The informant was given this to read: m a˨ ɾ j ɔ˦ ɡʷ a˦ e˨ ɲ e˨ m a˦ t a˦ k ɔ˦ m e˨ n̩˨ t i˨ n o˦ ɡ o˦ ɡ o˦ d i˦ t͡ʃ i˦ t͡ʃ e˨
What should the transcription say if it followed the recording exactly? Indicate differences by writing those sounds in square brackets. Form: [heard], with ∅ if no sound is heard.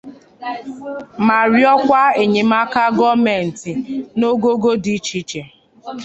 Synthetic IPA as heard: m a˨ ɾ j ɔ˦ [kʷ] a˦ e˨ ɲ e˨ m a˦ [k] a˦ [ɡ] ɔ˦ m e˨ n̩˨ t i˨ n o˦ ɡ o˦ ɡ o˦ d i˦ t͡ʃ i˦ t͡ʃ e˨